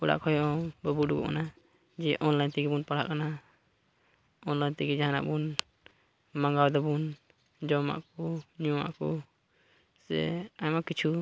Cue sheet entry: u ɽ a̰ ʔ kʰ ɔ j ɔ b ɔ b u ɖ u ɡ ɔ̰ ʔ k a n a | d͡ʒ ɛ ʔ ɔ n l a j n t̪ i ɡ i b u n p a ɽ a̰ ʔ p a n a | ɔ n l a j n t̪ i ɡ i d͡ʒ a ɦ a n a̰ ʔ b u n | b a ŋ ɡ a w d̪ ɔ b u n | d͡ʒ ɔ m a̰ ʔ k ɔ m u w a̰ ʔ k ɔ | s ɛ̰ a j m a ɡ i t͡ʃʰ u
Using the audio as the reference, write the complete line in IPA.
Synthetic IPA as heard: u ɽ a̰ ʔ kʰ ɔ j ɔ b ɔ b u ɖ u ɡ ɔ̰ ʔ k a n a | d͡ʒ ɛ ʔ ɔ n l a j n t̪ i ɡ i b u n p a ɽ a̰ ʔ k a n a | ɔ n l a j n t̪ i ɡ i d͡ʒ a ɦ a n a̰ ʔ b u n | m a ŋ ɡ a w d̪ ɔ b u n | d͡ʒ ɔ m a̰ ʔ k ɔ ɲ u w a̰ ʔ k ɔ | s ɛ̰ a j m a k i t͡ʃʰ u